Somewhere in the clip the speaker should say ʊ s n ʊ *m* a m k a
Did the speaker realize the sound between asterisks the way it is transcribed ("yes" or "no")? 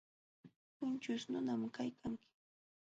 no